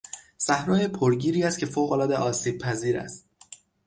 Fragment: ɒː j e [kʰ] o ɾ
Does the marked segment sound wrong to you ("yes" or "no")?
yes